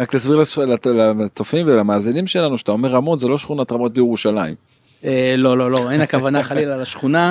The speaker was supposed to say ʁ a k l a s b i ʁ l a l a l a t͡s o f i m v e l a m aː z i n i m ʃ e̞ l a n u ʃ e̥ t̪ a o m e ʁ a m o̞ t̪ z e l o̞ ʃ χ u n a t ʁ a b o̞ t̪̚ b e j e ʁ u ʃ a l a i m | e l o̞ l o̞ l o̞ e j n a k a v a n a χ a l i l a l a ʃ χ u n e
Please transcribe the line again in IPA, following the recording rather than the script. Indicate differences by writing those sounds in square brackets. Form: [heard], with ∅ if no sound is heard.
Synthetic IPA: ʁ a k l a s b i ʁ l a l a l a t͡s o f i m v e l a m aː z i n i m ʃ e̞ l a n u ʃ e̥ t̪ a o m e ʁ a m o̞ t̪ z e l o̞ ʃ χ u n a t ʁ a [m] o̞ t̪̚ b e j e ʁ u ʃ a l a i m | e l o̞ l o̞ l o̞ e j n a k a v a n a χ a l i l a l a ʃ χ u n [a]